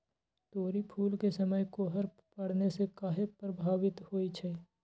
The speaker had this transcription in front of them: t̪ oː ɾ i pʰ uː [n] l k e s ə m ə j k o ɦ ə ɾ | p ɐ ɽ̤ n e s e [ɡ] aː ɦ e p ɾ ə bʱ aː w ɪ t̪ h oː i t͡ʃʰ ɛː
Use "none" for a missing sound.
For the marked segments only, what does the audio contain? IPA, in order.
none, k

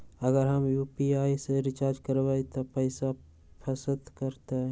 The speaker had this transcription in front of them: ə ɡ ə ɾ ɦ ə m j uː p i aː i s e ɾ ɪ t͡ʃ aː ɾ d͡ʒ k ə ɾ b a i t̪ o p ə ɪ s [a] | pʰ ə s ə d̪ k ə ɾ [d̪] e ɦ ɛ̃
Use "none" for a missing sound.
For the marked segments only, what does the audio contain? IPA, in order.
a, t̪

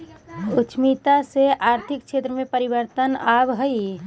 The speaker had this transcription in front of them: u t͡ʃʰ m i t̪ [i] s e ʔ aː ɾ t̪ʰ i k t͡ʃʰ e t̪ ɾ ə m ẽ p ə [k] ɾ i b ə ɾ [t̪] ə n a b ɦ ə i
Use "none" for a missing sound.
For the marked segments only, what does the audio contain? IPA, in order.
a, none, t̪

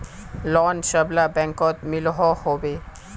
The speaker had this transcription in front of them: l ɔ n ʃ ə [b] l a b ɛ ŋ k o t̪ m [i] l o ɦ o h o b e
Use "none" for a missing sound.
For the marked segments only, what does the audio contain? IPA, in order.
b, i

